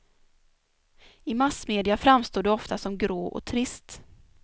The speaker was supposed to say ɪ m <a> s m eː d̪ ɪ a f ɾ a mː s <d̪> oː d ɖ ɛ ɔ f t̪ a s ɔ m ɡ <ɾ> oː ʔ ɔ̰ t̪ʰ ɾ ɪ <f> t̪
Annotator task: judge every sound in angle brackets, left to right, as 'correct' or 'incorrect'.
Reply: correct, incorrect, correct, incorrect

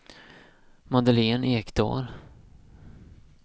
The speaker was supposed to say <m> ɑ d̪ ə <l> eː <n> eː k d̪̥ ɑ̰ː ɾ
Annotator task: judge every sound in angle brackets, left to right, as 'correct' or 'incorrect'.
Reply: correct, correct, correct

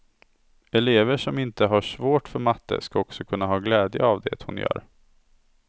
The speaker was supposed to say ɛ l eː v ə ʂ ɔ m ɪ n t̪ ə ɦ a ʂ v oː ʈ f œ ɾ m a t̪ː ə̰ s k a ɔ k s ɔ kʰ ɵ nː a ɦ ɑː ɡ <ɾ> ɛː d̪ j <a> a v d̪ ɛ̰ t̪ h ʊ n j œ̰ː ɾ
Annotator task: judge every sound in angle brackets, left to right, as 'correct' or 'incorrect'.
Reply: incorrect, incorrect

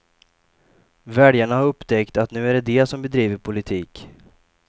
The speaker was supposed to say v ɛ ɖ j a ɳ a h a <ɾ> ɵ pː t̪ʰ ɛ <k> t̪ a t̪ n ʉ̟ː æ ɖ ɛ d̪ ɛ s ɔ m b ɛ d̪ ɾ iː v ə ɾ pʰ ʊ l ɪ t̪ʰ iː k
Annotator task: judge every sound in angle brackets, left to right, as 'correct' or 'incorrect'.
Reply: correct, correct

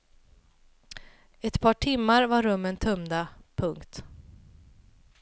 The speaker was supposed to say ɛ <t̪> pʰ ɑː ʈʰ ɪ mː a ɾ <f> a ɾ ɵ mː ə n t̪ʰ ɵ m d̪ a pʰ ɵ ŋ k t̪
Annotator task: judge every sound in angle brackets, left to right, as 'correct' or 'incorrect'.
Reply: correct, incorrect

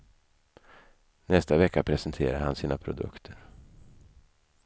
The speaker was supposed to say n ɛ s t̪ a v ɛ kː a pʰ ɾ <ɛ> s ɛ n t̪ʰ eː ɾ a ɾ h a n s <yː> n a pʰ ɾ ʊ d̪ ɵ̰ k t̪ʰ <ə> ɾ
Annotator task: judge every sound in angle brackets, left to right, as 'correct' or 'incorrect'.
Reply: correct, incorrect, correct

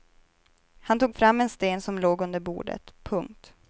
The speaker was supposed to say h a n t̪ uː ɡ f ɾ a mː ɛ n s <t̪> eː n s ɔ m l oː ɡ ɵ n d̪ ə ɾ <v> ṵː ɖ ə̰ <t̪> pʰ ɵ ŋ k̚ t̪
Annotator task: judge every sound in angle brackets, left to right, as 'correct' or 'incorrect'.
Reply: correct, incorrect, correct

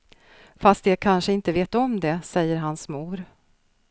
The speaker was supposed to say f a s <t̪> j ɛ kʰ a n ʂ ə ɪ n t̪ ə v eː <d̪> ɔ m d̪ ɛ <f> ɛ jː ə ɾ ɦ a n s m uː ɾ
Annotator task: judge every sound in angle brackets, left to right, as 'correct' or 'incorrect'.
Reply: correct, incorrect, incorrect

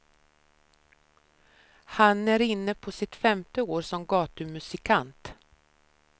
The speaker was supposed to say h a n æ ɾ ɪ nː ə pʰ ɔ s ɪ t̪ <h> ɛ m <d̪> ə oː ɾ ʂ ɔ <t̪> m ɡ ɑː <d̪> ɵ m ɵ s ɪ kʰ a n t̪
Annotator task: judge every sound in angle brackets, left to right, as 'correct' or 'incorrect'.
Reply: incorrect, incorrect, incorrect, incorrect

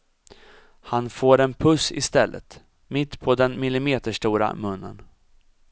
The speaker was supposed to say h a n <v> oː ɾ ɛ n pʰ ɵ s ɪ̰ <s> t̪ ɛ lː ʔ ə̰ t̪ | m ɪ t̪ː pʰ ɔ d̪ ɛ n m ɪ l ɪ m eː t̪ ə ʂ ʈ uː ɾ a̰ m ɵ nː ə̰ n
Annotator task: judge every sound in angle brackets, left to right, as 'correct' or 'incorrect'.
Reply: incorrect, correct

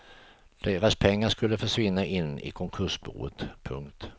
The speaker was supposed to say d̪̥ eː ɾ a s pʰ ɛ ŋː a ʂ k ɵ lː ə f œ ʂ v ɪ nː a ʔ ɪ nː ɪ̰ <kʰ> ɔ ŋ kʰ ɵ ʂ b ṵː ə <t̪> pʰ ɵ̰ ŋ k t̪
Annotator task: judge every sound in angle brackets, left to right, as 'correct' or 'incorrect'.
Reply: correct, correct

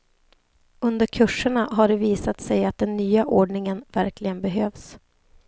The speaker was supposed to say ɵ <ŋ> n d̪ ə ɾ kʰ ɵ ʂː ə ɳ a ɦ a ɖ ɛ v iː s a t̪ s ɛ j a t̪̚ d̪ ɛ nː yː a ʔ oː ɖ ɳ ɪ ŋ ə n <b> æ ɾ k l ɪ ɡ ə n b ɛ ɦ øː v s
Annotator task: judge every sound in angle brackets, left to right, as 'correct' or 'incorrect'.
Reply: incorrect, incorrect

